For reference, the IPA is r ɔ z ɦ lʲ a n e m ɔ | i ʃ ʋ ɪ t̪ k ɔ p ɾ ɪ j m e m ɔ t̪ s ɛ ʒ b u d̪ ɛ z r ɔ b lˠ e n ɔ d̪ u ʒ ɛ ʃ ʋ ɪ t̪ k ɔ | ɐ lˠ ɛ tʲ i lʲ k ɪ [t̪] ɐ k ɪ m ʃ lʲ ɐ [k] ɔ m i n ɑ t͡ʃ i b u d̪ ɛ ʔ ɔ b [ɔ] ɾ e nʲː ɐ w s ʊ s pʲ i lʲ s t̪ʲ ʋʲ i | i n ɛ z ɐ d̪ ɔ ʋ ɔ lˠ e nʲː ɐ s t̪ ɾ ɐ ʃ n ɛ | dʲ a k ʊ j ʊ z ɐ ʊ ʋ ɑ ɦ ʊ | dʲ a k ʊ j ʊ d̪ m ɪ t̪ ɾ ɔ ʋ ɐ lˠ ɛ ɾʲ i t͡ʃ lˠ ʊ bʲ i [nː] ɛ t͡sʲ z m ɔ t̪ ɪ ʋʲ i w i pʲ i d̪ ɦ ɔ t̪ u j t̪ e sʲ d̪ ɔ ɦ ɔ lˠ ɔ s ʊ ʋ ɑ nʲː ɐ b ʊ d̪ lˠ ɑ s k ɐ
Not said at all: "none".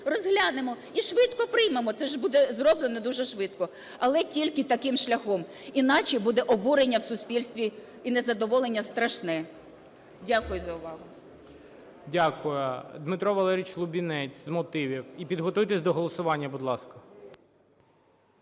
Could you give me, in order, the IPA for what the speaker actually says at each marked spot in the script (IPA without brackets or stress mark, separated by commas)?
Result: t̪, x, u, n